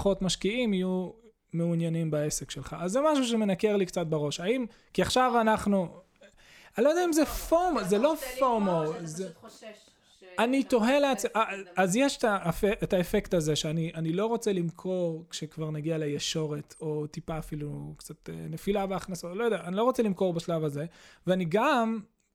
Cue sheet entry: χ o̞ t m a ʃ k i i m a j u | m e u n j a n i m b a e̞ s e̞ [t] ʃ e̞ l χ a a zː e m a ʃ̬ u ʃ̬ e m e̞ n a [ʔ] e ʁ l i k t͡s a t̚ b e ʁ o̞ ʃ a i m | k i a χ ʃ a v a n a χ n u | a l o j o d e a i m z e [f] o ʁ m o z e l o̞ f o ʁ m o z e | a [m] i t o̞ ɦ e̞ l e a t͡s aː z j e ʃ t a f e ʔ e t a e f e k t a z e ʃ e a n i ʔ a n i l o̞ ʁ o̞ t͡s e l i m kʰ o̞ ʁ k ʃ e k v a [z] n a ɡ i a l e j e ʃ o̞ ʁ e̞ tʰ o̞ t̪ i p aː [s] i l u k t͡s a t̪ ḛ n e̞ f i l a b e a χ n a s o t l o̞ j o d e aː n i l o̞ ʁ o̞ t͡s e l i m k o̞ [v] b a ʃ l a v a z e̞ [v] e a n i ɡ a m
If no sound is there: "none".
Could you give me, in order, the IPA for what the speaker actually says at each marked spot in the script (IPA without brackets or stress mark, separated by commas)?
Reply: k, k, f, n, ʁ, f, ʁ, v